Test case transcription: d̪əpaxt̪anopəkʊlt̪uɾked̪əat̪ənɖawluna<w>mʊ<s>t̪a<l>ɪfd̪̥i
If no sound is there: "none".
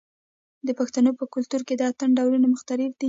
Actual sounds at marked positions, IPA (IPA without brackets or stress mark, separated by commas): none, x, ɾ